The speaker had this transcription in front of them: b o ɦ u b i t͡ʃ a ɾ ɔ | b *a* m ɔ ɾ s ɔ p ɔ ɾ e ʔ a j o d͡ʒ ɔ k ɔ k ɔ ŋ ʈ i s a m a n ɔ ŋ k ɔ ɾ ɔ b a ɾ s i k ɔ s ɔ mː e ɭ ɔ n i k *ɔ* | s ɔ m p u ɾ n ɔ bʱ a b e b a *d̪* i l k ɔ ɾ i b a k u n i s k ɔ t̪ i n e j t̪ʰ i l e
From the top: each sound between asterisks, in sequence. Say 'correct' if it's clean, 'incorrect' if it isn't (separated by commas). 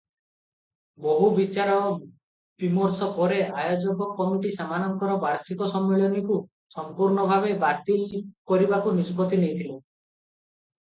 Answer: incorrect, incorrect, incorrect